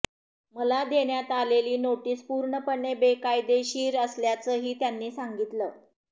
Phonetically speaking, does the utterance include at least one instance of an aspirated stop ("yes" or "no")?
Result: no